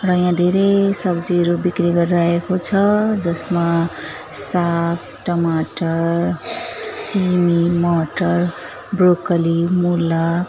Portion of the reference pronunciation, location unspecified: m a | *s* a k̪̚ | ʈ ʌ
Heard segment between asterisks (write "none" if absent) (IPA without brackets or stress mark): s